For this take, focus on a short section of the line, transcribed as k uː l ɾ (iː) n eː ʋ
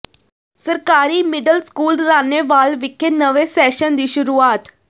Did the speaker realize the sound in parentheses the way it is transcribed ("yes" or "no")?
no